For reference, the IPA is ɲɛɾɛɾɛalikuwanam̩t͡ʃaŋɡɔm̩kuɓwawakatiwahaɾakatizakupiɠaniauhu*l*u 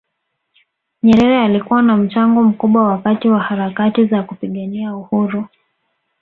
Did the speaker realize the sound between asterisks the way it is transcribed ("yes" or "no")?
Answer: no